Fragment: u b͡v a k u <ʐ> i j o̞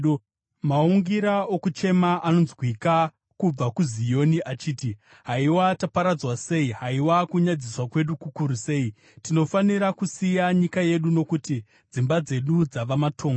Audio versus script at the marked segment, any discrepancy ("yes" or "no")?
yes